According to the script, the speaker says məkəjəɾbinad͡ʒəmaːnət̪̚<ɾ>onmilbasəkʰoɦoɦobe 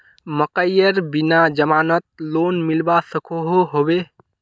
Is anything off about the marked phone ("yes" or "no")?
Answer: yes